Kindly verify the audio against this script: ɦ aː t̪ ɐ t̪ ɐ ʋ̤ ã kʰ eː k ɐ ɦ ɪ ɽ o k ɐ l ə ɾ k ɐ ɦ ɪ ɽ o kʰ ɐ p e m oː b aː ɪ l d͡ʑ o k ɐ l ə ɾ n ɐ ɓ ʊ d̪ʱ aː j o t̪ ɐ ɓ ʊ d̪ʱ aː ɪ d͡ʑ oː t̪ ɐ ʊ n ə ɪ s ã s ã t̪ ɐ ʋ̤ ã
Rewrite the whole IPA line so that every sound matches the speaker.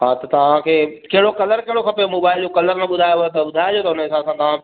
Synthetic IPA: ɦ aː t̪ ɐ t̪ ɐ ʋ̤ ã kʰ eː k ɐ ɦ ɪ ɽ o k ɐ l ə ɾ k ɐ ɦ ɪ ɽ o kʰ ɐ p e m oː b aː ɪ l d͡ʑ o k ɐ l ə ɾ n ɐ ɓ ʊ d̪ʱ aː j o t̪ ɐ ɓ ʊ d̪ʱ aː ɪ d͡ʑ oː t̪ ɐ ʊ n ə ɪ s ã s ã t̪ ɐ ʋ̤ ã